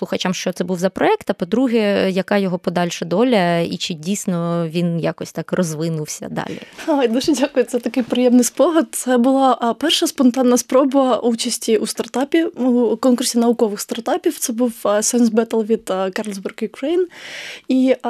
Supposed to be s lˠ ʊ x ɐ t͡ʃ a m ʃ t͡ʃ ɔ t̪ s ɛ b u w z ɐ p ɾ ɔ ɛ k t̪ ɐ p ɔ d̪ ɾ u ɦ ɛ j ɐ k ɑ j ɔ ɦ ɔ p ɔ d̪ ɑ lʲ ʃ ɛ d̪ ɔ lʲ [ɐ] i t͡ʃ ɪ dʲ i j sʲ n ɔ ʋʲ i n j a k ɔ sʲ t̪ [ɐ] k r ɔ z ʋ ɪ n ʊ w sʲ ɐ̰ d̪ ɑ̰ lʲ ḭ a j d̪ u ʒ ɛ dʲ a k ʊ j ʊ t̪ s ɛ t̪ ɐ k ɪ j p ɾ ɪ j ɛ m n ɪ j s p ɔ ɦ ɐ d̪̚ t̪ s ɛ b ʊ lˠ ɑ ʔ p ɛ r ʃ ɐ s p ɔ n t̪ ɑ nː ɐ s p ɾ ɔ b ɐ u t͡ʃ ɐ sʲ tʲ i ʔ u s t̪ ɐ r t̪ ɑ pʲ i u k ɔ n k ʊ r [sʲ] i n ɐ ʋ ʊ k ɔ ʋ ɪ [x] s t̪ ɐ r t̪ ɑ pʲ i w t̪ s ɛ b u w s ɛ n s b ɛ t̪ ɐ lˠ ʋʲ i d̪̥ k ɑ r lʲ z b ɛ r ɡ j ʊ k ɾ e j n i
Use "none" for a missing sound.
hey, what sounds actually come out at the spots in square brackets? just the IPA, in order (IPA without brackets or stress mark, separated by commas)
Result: ɐ, ɑ, sʲ, x